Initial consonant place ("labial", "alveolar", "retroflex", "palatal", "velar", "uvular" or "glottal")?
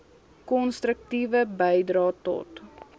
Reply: velar